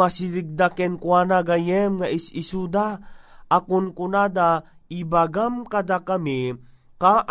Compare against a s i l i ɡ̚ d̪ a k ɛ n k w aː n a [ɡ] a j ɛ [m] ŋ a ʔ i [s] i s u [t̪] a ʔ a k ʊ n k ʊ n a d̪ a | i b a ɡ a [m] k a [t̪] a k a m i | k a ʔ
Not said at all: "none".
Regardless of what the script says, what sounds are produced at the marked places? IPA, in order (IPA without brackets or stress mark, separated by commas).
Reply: ɡ, m, s, d̪, m, d̪